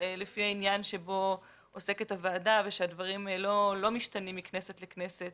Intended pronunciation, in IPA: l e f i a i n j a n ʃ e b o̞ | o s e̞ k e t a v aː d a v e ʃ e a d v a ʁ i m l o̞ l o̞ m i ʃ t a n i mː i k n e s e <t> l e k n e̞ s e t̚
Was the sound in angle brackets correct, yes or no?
yes